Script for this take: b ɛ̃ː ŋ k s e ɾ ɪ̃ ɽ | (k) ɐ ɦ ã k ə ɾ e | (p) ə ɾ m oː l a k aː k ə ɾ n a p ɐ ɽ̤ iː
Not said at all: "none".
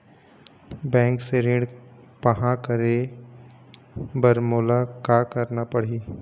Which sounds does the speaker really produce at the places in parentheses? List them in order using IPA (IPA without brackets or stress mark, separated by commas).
p, b